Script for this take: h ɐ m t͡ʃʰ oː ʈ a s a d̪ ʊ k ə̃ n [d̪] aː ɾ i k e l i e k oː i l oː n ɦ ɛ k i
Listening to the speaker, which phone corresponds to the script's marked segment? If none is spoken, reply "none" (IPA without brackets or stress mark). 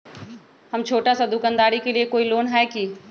d̪